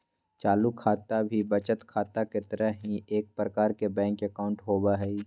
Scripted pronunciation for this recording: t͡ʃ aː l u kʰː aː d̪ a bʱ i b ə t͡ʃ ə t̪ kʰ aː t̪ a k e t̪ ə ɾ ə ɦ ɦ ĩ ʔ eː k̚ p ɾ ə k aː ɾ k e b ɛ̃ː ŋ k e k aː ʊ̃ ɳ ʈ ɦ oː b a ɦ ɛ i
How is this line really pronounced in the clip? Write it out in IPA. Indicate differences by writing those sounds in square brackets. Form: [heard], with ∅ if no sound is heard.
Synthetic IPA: t͡ʃ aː l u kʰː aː [t̪] a bʱ i b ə t͡ʃ ə t̪ kʰ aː t̪ a k e t̪ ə ɾ ə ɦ ɦ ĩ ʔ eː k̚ p ɾ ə k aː ɾ k e b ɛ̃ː ŋ k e k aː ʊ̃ ɳ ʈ ɦ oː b a ɦ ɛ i